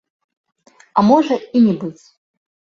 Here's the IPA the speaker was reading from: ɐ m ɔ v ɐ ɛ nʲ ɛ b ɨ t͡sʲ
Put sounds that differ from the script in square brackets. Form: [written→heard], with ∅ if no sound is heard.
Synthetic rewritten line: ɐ m ɔ [v→ʐ] ɐ [ɛ→i] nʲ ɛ b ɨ t͡sʲ